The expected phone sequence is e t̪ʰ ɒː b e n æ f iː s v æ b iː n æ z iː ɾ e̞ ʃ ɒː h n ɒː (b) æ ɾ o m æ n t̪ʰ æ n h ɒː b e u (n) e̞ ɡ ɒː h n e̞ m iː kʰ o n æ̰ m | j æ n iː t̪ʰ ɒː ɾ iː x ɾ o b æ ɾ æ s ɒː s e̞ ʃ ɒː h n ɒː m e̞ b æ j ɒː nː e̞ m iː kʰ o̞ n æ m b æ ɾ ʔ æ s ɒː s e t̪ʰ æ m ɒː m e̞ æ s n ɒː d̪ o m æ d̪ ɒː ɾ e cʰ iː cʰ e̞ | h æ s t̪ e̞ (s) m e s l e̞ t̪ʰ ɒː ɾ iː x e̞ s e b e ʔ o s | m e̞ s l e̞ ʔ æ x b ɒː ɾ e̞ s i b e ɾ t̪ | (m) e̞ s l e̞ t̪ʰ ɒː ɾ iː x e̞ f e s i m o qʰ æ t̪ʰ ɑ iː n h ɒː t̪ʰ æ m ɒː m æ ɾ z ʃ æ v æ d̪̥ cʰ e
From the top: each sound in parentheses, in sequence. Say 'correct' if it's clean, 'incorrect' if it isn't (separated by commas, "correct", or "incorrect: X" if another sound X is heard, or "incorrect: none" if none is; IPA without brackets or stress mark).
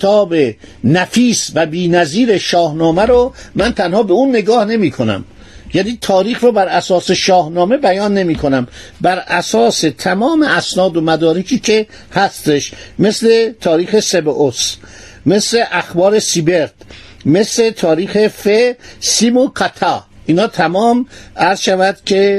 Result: incorrect: m, incorrect: nː, incorrect: ʃ, correct